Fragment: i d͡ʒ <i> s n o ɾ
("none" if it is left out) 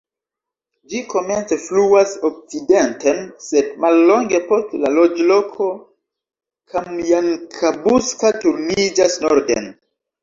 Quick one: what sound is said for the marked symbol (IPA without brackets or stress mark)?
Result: a